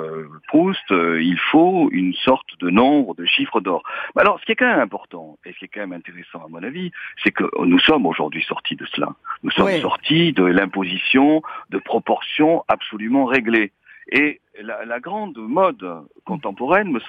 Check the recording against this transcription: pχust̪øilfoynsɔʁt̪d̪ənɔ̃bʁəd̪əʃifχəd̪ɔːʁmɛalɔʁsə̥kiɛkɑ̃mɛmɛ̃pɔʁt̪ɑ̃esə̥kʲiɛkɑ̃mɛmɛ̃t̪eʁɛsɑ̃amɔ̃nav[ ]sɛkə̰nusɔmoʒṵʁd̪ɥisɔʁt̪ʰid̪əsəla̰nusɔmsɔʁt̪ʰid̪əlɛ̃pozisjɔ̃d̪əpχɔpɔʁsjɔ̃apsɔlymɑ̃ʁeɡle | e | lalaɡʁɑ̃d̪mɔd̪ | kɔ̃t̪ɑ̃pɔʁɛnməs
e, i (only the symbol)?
i